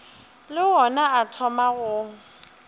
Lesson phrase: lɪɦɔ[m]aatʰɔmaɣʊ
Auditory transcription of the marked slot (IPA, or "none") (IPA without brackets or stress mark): n